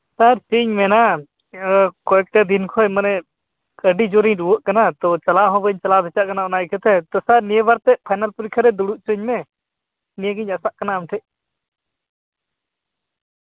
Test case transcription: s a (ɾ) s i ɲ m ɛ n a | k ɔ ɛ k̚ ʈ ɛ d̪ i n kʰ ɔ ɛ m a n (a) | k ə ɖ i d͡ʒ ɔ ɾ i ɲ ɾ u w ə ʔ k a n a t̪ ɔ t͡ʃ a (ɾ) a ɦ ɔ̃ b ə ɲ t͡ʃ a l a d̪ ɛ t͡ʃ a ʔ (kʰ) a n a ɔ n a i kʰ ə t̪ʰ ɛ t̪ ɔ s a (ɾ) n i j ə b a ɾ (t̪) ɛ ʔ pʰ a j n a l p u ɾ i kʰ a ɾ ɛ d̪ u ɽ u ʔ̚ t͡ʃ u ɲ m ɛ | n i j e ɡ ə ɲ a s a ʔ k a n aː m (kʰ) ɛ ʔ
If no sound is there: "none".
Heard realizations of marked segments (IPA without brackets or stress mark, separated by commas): ɾ, ɛ, l, k, ɾ, t̪, ʈʰ